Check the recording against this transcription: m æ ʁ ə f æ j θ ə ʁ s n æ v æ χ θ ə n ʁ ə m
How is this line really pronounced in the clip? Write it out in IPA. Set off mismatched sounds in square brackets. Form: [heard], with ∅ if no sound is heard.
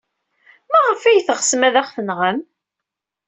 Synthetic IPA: m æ ʁ ə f æ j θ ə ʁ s [m] æ [ð] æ χ θ ə n ʁ ə m